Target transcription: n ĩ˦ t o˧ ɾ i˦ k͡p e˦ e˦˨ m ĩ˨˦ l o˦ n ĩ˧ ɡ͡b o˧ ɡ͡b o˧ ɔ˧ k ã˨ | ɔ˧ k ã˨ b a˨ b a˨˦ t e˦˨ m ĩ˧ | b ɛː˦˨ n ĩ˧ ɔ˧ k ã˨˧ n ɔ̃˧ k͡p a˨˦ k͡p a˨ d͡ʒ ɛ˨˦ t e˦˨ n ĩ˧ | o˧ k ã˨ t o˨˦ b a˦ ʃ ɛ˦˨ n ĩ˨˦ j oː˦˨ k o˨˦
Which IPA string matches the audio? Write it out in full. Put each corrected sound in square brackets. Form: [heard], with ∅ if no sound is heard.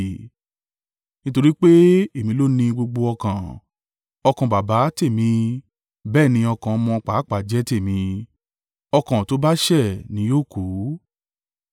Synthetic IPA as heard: n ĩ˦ t o˧ ɾ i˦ k͡p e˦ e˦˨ m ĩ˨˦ l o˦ n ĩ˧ ɡ͡b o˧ ɡ͡b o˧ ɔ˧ k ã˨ | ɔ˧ k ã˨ b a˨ b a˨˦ t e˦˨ m ĩ˧ | b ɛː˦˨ n ĩ˧ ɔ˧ k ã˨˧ [m] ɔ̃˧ k͡p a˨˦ k͡p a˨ d͡ʒ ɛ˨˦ t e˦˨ [m] ĩ˧ | [ɔ˧] k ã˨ t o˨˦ b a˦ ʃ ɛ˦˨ n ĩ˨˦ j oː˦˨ k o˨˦